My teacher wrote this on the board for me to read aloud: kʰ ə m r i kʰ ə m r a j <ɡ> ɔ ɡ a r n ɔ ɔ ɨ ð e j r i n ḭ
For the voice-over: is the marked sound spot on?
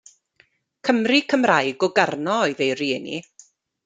yes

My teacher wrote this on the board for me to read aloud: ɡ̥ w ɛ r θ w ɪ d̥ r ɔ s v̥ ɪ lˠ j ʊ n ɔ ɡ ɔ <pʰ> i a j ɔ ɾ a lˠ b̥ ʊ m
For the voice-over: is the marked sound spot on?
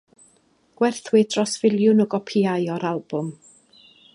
yes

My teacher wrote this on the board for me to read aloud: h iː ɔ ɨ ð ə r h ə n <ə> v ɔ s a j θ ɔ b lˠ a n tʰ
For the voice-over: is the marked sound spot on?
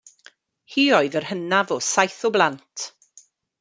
no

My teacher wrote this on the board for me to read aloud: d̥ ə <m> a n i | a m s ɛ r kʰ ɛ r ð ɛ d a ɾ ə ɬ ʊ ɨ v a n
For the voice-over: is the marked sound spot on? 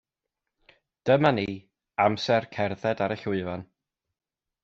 yes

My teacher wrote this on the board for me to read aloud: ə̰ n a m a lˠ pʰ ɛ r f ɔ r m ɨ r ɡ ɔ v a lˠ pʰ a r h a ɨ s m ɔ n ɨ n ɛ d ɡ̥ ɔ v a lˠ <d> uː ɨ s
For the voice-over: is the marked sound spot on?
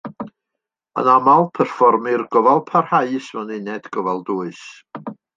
yes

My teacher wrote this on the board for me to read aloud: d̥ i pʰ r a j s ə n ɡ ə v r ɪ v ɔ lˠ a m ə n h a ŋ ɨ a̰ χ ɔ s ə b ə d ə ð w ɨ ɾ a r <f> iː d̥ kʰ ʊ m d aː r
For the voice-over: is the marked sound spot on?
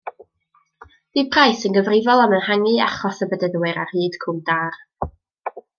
no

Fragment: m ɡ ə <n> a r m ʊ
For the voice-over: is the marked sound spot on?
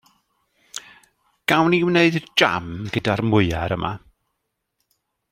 no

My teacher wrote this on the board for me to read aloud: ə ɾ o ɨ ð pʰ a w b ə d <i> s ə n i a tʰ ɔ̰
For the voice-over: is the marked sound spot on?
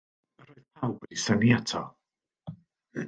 yes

